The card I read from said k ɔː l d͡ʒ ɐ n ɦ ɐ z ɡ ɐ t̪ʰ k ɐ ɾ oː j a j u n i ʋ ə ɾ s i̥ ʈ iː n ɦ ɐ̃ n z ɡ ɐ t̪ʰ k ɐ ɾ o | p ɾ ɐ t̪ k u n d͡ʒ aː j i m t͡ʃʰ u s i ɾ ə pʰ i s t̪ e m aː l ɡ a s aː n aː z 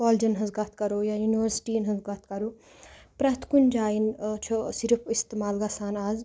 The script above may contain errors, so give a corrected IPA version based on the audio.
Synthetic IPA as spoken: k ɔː l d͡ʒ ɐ n ɦ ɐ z ɡ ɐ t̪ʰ k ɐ ɾ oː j a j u n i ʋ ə ɾ s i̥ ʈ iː n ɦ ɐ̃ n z ɡ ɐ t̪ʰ k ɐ ɾ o | p ɾ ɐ t̪ k u n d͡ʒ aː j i n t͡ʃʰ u s i ɾ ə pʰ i s t̪ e m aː l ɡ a s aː n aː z